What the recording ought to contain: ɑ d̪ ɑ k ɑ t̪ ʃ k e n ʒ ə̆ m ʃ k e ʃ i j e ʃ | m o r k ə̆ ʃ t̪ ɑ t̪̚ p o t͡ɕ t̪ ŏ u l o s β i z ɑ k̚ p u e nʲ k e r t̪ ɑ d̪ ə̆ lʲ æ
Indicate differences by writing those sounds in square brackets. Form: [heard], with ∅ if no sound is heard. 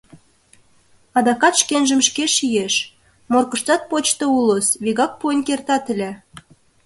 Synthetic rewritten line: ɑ d̪ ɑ k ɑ t̪ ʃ k e n ʒ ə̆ m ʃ k e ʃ i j e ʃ | m o r k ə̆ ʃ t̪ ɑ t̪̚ p o t͡ɕ t̪ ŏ u l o s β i [ɣ] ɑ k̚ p u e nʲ k e r t̪ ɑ [t̪] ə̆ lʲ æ